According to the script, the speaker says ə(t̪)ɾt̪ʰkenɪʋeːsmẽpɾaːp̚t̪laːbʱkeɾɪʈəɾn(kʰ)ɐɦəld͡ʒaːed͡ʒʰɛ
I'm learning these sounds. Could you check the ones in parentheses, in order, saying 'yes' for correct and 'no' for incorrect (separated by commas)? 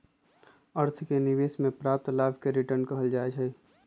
no, no